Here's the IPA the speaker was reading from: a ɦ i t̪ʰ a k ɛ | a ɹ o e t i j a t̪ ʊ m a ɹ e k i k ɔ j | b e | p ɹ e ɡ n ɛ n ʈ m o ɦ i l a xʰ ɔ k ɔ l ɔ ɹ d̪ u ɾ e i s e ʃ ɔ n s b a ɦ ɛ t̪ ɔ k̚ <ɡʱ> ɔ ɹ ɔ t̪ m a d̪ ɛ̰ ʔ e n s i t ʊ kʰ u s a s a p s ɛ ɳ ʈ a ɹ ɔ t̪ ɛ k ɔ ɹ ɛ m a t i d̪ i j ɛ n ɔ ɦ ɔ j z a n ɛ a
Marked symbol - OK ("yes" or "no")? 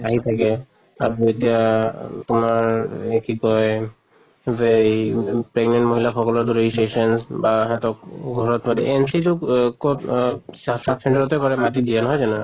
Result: yes